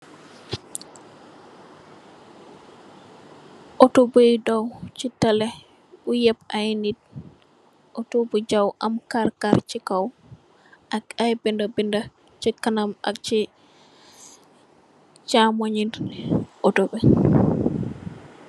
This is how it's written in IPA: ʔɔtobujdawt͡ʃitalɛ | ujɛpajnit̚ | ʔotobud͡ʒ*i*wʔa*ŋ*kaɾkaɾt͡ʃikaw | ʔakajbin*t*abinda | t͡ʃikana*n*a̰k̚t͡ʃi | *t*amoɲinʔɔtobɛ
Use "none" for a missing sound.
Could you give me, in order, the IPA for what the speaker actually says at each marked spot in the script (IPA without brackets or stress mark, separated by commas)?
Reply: a, m, d, m, t͡ʃ